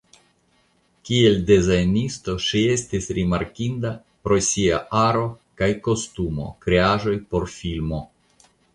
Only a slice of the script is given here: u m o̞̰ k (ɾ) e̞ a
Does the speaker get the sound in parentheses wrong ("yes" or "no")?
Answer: no